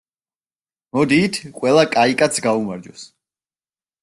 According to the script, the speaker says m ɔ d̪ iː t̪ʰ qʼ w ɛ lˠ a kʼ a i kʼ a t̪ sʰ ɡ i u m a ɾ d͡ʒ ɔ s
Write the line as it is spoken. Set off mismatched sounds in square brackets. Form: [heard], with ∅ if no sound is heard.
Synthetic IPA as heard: m ɔ d̪ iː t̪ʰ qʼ w ɛ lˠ a kʼ a i kʼ a t̪ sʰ ɡ [a] u m a ɾ d͡ʒ ɔ s